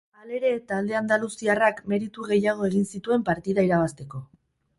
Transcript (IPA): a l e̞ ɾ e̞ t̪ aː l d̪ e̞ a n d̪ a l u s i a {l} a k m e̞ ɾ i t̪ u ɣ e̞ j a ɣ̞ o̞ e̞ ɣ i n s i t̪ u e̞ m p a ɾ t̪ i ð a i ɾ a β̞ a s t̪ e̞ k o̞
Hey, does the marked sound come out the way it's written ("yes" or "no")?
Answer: no